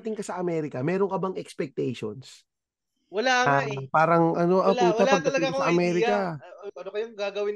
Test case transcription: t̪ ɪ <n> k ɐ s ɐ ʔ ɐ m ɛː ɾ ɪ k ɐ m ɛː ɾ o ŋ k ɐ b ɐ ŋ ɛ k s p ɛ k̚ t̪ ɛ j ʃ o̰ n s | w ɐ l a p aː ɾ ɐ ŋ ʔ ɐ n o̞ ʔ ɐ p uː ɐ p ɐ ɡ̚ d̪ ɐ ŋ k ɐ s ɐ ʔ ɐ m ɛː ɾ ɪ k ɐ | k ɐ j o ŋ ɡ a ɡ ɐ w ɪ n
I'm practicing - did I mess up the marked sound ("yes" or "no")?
yes